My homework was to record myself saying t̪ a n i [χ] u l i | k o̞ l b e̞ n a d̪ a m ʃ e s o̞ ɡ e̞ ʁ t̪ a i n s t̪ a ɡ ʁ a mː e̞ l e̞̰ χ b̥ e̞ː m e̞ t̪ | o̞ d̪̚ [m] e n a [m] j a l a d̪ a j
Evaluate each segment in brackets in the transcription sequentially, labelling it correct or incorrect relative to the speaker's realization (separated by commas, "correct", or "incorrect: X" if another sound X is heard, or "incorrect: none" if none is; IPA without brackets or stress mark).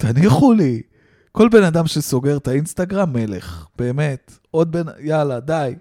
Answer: correct, incorrect: b, incorrect: none